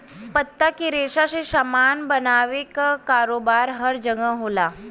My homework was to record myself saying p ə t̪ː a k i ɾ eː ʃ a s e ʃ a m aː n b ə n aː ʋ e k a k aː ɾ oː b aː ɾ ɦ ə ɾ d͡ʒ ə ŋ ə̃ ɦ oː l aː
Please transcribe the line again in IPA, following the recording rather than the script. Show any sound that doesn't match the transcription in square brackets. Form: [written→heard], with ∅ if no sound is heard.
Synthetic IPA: p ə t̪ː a k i ɾ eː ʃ a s e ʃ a m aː n b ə n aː ʋ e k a k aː ɾ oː b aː ɾ ɦ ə ɾ d͡ʒ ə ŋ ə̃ ɦ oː l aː

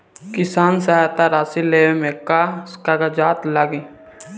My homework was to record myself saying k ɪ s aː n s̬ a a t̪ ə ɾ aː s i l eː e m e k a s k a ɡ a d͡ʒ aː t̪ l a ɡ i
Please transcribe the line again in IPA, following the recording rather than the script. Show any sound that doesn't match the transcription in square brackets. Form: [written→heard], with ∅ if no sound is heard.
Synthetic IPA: k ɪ s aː n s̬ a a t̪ [ə→a] ɾ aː s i l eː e m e k a s k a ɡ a d͡ʒ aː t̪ l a ɡ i

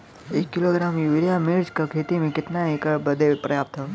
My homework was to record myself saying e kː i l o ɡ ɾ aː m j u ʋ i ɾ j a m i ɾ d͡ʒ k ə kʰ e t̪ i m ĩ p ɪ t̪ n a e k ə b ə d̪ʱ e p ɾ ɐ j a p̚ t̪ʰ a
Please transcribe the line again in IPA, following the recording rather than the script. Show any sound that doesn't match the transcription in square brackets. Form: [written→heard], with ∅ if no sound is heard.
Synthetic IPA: e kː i l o ɡ ɾ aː m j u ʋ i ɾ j a m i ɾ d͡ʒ k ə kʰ e t̪ i m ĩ [p→k] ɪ t̪ n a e k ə b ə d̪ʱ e p ɾ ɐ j a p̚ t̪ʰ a

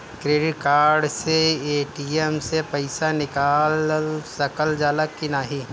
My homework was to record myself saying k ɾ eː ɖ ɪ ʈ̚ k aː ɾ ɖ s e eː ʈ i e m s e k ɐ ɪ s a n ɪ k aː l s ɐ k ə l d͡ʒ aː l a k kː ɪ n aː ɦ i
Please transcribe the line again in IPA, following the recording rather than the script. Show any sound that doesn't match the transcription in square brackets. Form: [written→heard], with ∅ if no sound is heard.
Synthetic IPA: k ɾ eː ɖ ɪ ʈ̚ k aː ɾ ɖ s e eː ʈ i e m s e [k→p] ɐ ɪ s a n ɪ k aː l s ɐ k ə l d͡ʒ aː l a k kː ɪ n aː ɦ i

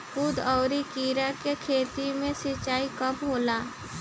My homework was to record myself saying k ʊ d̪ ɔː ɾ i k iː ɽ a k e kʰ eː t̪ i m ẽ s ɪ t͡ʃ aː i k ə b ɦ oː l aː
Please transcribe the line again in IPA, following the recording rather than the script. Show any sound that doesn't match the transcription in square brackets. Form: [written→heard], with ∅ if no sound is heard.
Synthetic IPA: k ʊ d̪ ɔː ɾ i k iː [ɽ→ɾ] a k e kʰ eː t̪ i m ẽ s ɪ t͡ʃ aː i k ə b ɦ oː l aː

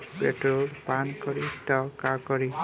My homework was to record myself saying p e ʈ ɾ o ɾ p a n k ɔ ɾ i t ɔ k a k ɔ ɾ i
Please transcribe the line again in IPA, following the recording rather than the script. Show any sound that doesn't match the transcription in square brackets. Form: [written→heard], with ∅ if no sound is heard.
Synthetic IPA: p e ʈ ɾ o [ɾ→l] p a n k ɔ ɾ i t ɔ k a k ɔ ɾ i

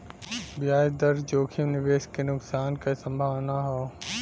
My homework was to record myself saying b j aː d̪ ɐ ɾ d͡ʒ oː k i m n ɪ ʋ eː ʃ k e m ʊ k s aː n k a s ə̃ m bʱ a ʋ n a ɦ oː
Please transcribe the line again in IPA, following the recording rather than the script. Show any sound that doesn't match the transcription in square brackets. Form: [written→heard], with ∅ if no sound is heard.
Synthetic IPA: b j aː d̪ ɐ ɾ d͡ʒ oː [k→kʰ] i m n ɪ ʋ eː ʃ k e [m→n] ʊ k s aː n k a s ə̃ m bʱ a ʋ n a ɦ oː

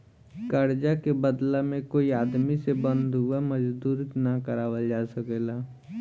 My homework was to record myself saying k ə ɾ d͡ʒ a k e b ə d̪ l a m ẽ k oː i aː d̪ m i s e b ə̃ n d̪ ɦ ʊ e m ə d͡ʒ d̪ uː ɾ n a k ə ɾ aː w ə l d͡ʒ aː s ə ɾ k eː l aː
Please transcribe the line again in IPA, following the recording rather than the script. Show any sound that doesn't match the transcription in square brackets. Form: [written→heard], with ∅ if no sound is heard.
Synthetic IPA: k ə ɾ d͡ʒ a k e b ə d̪ l a m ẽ k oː i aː d̪ m i s e b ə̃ n d̪ ɦ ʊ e m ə d͡ʒ d̪ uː ɾ n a k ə ɾ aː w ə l d͡ʒ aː s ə [ɾ→∅] k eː l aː

